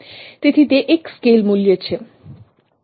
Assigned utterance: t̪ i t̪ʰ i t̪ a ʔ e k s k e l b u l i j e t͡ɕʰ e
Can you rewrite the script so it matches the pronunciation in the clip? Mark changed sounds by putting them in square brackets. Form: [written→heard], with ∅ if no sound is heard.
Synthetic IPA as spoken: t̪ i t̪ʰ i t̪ [a→e] ʔ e k s k e l [b→m] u l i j e t͡ɕʰ e